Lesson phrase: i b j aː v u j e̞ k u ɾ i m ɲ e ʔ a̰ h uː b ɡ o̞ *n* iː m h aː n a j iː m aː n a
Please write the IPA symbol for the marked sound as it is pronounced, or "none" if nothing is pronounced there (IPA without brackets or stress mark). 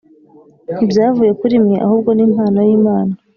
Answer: n